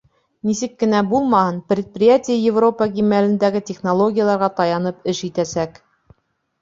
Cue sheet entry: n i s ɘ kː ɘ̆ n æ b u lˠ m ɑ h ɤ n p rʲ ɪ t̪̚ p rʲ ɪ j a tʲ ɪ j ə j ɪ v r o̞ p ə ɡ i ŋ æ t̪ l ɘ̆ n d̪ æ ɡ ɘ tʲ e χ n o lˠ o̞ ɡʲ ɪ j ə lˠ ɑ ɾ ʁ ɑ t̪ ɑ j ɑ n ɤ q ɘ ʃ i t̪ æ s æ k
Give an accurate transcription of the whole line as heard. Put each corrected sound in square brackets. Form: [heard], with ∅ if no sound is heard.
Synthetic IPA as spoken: n i s ɘ kː ɘ̆ n æ b u lˠ m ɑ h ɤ n p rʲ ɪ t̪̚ p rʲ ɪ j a tʲ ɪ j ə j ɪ v r o̞ p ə ɡ i [m] æ [∅] l ɘ̆ n d̪ æ ɡ ɘ tʲ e χ n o lˠ o̞ ɡʲ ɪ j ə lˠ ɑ ɾ ʁ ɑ t̪ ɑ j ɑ n ɤ [p] ɘ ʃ i t̪ æ s æ k